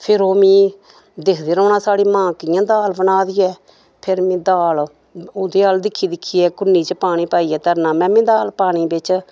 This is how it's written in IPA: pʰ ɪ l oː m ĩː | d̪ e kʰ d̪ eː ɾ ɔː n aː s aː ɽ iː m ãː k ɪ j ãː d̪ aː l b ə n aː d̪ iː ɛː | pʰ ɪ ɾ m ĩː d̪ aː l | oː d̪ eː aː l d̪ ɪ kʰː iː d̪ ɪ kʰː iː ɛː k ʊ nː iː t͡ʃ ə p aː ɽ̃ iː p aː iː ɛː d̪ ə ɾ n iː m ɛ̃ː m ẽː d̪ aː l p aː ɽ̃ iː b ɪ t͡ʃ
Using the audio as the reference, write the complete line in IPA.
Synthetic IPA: pʰ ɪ ɾ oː m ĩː | d̪ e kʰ d̪ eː ɾ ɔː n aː s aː ɽ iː m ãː k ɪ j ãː d̪ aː l b ə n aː d̪ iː ɛː | pʰ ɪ ɾ m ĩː d̪ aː l | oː d̪ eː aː l d̪ ɪ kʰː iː d̪ ɪ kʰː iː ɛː k ʊ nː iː t͡ʃ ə p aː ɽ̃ iː p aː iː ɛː t̪ ə ɾ n aː m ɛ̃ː m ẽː d̪ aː l p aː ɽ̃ iː b ɪ t͡ʃ